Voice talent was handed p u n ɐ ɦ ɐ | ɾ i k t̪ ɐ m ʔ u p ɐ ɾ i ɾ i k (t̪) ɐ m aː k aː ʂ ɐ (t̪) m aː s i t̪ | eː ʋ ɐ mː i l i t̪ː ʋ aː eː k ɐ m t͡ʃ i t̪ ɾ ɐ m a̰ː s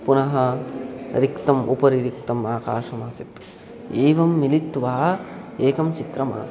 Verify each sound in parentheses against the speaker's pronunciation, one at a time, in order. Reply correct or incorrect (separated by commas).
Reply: correct, incorrect